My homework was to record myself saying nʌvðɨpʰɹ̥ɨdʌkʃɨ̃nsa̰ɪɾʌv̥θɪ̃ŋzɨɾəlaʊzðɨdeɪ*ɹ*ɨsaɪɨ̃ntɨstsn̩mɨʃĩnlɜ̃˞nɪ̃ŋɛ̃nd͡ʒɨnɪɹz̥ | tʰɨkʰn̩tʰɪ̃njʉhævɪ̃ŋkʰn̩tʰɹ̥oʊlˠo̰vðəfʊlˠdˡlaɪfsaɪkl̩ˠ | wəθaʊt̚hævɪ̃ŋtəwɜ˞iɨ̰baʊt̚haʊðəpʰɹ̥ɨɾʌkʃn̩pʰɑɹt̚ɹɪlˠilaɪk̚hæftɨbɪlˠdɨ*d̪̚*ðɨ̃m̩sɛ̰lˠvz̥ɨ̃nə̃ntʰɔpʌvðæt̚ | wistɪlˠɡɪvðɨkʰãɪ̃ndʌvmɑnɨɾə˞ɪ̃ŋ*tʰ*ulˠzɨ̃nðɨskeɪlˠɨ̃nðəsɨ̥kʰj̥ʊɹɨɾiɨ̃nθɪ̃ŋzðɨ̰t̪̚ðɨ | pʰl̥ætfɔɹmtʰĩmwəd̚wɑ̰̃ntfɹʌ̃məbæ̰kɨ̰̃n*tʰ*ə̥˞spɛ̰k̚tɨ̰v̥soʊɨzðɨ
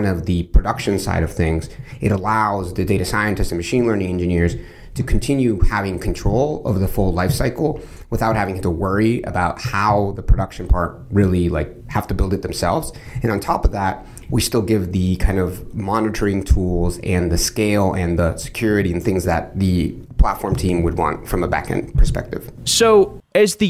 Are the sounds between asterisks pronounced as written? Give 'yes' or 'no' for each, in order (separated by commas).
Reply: no, no, yes, no